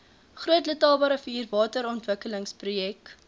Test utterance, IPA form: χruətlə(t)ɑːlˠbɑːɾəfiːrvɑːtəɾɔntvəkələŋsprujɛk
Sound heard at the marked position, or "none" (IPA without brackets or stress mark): t